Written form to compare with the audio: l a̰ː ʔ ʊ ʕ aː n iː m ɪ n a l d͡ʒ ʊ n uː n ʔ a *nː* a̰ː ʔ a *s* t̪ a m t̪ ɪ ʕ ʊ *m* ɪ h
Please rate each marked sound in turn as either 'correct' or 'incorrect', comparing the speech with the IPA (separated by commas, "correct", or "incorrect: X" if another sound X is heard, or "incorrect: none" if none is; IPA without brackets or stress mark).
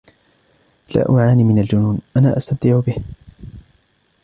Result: incorrect: n, correct, incorrect: b